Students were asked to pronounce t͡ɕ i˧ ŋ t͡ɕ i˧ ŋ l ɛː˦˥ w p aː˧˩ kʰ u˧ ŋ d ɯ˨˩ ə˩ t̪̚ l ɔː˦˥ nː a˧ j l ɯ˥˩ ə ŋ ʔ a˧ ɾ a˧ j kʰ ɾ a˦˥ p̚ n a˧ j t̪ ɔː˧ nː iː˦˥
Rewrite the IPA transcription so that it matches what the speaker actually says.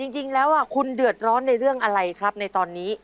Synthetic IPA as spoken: t͡ɕ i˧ ŋ t͡ɕ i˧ ŋ l ɛː˦˥ w ʔ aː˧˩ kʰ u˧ n d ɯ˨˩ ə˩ t̪̚ ɾ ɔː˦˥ nː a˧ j ɾ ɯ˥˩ ə ŋ ʔ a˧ ɾ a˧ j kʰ ɾ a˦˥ p̚ n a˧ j t̪ ɔː˧ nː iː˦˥

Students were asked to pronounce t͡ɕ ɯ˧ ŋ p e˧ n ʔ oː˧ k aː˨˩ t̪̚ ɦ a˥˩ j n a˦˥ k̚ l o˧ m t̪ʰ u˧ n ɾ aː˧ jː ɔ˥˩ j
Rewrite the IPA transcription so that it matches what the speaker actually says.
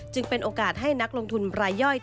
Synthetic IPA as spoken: t͡ɕ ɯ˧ ŋ p e˧ n ʔ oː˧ k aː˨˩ t̪̚ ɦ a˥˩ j n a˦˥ k̚ l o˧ ŋ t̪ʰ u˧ n ɾ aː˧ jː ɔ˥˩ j

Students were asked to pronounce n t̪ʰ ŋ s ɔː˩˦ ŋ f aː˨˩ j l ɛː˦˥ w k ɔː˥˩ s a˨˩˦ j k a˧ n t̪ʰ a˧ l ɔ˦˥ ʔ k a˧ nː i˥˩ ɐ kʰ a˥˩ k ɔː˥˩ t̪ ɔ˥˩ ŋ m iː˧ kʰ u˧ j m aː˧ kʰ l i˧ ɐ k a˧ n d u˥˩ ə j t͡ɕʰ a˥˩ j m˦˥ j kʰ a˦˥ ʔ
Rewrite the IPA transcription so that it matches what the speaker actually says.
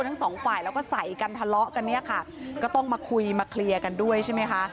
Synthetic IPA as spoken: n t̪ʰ ŋ s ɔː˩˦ ŋ f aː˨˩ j l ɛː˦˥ w k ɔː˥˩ s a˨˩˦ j k a˧ n t̪ʰ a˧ l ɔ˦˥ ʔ k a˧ nː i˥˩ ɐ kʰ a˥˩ k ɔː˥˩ t̪ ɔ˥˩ ŋ m aː˧ kʰ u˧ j m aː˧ kʰ l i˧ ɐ k a˧ n d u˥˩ ə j t͡ɕʰ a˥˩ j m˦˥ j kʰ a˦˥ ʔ

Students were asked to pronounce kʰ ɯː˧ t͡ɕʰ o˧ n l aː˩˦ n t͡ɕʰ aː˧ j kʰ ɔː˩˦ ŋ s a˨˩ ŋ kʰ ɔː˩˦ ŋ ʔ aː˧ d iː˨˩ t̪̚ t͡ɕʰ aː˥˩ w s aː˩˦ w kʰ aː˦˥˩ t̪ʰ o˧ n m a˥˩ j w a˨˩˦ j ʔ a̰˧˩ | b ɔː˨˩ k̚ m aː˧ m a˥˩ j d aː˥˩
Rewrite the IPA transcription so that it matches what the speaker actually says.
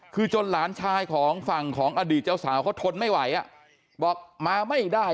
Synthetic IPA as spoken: kʰ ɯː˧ t͡ɕ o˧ n l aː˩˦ n t͡ɕʰ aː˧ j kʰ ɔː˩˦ ŋ f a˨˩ ŋ kʰ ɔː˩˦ ŋ ʔ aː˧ d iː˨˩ t̪̚ t͡ɕ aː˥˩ w s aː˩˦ w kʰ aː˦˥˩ t̪ʰ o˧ n m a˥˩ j w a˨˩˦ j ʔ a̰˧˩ | b ɔː˨˩ k̚ m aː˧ m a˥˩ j d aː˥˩

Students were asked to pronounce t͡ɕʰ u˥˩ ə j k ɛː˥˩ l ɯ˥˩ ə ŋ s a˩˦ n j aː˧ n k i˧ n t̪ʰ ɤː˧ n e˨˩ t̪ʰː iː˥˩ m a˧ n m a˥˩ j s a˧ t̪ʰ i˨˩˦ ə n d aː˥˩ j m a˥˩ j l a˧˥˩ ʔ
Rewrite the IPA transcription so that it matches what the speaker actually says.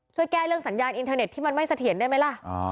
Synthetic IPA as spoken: t͡ɕʰ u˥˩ ə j k ɛː˥˩ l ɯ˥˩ ə ŋ s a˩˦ n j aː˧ n ʔ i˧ n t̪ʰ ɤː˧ n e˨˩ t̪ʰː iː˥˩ m a˧ n m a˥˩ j s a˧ t̪ʰ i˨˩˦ ə n d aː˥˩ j m a˦˥ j l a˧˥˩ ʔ

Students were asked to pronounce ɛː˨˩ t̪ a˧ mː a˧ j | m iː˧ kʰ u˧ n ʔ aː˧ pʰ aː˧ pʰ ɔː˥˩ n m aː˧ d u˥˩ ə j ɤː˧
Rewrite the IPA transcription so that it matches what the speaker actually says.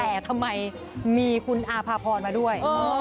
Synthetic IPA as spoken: ɛː˨˩ t̪ʰ a˧ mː a˧ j | m iː˧ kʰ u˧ n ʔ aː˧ pʰ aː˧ pʰ ɔː˧ n m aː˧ d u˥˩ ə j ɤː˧

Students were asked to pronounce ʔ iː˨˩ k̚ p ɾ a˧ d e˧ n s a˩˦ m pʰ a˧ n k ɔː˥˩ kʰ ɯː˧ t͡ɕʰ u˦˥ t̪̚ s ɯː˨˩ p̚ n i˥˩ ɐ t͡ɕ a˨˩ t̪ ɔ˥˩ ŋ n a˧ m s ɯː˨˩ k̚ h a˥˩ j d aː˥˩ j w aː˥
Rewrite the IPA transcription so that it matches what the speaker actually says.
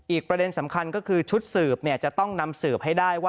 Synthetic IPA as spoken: ʔ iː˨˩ k̚ p ɾ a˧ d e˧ n s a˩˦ m kʰ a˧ n k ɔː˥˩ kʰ ɯː˧ t͡ɕʰ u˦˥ t̪̚ s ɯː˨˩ p̚ n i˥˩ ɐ t͡ɕ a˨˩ t̪ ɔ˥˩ ŋ n a˧ m s ɯː˨˩ p̚ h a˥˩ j d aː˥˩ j w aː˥

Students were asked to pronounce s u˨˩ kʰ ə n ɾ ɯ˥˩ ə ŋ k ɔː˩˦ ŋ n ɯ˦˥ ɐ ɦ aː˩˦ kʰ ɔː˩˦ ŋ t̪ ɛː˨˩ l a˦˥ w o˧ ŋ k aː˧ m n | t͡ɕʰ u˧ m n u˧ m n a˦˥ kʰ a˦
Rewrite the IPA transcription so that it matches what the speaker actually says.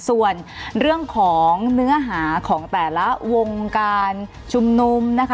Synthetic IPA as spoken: s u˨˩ ə n ɾ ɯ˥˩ ə ŋ kʰ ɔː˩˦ ŋ n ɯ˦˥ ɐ ɦ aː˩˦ kʰ ɔː˩˦ ŋ t̪ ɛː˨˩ l a˦˥ w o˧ ŋ k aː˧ n | t͡ɕʰ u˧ m n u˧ m n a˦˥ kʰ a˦

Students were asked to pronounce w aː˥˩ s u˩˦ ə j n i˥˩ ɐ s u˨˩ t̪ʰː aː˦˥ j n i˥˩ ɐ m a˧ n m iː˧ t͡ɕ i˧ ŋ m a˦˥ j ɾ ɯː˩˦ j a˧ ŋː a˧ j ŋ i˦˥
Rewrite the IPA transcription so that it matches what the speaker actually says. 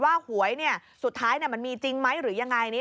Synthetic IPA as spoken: w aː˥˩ h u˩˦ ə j n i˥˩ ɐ s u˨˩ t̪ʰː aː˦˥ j n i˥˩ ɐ m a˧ n m iː˧ t͡ɕ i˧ ŋ m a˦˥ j ɾ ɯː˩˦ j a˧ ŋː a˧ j n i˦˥

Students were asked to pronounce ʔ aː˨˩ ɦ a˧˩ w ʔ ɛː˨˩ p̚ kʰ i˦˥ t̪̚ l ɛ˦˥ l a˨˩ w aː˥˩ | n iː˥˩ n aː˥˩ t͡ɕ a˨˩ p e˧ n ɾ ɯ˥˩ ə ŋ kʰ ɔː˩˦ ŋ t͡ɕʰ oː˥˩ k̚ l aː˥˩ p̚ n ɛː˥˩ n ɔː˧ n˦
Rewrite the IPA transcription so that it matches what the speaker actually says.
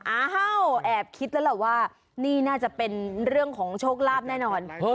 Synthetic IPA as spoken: ʔ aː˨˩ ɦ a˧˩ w ʔ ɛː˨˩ p̚ kʰ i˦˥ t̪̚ l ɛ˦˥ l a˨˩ w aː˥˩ | n iː˥˩ n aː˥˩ t͡ɕ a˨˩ p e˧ n ɾ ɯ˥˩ ə ŋ kʰ ɔː˩˦ ŋ t͡ɕʰ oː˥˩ k̚ l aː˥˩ p̚ n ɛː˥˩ n ɔː˧ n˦

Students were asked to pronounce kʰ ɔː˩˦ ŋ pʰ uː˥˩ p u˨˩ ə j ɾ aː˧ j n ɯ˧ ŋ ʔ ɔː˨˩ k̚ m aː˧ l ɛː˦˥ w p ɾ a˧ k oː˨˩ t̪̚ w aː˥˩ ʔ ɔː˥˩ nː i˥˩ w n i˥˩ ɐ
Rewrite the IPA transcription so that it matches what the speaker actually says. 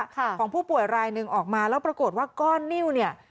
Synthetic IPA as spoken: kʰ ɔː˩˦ ŋ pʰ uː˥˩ p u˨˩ ə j ɾ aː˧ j n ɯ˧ ŋ ʔ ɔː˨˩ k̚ m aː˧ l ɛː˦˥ w p ɾ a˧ k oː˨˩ t̪̚ w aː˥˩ k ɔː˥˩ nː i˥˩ w n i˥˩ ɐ

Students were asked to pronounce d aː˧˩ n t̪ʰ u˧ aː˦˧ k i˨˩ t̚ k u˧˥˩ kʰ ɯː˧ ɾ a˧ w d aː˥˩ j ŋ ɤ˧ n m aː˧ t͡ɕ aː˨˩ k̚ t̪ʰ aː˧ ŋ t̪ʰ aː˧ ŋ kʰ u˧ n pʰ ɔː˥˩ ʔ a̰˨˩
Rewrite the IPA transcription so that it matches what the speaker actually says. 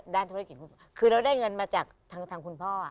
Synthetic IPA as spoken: d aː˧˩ n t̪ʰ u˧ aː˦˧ k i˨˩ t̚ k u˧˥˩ kʰ ɯː˧ ɾ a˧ w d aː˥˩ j ŋ ɤ˧ n m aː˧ t͡ɕ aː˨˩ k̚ t̪ʰ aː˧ ŋ t̪ʰ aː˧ ŋ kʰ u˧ n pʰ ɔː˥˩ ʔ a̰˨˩

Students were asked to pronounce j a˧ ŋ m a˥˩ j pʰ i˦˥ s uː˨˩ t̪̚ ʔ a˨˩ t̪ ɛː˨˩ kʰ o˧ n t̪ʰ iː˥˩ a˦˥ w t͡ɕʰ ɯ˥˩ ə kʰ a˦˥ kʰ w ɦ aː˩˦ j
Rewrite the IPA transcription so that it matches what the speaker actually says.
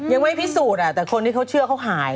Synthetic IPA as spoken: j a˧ ŋ m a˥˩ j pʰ i˦˥ s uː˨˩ t̪̚ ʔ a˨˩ t̪ ɛː˨˩ kʰ o˧ n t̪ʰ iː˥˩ a˦˥ w t͡ɕʰ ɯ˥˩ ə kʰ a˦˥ w ɦ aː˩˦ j

